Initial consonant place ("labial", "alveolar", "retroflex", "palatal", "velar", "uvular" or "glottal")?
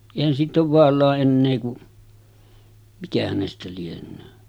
glottal